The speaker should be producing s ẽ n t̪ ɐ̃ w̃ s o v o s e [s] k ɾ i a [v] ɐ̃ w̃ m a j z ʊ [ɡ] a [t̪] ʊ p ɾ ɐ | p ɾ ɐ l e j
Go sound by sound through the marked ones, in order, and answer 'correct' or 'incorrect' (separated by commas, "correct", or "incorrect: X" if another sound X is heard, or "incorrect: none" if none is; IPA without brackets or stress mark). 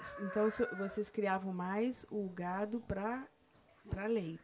correct, correct, correct, incorrect: d̪